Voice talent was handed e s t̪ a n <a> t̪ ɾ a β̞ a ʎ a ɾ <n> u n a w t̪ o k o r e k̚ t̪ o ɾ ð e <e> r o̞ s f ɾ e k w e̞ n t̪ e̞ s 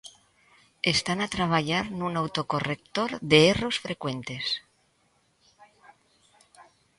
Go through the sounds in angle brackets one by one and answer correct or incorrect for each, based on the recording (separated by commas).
correct, correct, correct